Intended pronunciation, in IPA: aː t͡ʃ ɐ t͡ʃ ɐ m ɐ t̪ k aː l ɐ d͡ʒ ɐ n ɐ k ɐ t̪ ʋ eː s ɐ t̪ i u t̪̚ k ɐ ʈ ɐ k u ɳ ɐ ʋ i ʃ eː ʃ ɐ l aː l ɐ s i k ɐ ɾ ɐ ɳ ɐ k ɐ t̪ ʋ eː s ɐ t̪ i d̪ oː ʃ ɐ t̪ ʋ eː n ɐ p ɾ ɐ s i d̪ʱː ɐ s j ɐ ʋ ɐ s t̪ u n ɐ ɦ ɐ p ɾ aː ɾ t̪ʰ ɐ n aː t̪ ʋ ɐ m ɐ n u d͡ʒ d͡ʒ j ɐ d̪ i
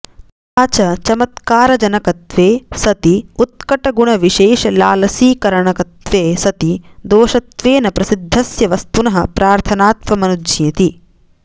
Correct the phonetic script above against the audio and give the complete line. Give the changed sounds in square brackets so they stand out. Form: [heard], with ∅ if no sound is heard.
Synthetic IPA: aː t͡ʃ ɐ t͡ʃ ɐ m ɐ t̪ k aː [ɾ] ɐ d͡ʒ ɐ n ɐ k ɐ t̪ ʋ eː s ɐ t̪ i u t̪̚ k ɐ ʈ ɐ [ɡ] u ɳ ɐ ʋ i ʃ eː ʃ ɐ l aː l ɐ s [iː] k ɐ ɾ ɐ ɳ ɐ k ɐ t̪ ʋ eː s ɐ t̪ i d̪ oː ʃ ɐ t̪ ʋ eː n ɐ p ɾ ɐ s i d̪ʱː ɐ s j ɐ ʋ ɐ s t̪ u n ɐ ɦ ɐ p ɾ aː ɾ t̪ʰ ɐ n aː t̪ ʋ ɐ m ɐ n u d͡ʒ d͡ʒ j ɐ [t̪] i